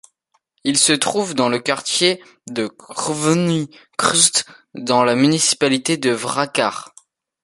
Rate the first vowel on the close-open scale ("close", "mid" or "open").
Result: close